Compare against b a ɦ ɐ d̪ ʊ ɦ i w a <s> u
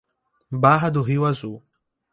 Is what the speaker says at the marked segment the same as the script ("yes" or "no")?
no